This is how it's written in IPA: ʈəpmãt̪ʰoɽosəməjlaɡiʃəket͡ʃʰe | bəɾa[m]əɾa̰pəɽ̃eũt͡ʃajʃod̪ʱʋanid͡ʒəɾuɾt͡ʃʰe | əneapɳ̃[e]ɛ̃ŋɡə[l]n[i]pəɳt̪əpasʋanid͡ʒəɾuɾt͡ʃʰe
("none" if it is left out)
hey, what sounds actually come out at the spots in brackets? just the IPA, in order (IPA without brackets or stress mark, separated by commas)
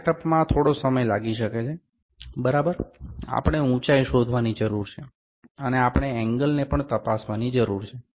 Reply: b, e, l, e